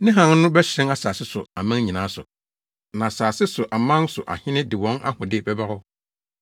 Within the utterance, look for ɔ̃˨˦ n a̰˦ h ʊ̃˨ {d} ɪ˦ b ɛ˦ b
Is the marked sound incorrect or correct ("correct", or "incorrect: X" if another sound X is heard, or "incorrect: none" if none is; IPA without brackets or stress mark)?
correct